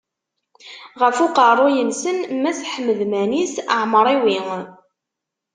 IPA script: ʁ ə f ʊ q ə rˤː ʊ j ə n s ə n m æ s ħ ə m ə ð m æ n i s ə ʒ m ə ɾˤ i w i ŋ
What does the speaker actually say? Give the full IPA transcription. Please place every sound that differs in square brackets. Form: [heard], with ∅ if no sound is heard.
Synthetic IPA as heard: ʁ ə f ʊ q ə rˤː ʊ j ə n s ə n m æ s ħ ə m ə ð m æ n i s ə [ʕ] m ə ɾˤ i w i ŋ